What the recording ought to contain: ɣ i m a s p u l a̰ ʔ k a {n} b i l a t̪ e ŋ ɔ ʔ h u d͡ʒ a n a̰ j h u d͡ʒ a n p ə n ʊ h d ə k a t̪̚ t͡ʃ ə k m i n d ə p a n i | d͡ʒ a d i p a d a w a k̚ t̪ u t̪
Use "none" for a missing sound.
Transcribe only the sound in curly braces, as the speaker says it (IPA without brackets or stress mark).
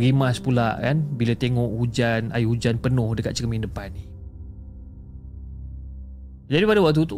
n